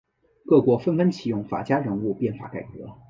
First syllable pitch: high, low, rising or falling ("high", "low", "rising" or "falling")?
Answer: falling